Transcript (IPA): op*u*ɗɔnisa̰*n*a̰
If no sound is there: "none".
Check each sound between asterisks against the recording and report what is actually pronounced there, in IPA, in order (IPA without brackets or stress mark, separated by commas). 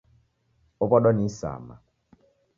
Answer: ɔ, m